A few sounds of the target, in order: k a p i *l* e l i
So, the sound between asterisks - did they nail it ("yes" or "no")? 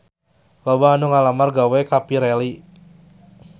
no